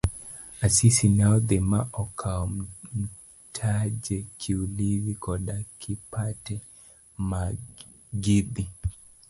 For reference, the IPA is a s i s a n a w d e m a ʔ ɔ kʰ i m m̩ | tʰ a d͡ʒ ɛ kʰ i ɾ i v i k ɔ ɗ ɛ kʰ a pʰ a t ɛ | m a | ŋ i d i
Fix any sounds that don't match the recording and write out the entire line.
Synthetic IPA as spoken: a s i s i n a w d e m a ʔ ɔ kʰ a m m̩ | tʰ a d͡ʒ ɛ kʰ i l i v i k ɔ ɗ a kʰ i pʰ a t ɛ | m a | ɡ i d i